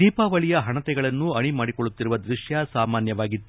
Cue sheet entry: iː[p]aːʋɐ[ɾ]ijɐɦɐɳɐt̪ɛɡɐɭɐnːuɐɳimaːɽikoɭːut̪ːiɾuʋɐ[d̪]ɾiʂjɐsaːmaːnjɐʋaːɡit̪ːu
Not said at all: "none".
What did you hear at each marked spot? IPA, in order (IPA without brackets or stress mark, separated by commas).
p, ɭ, d̪